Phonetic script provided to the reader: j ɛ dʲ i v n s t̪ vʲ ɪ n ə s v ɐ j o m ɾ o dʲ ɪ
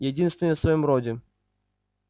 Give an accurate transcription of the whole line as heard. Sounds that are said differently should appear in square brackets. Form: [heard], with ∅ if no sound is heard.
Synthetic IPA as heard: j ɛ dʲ i [∅] n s t̪ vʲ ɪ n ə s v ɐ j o m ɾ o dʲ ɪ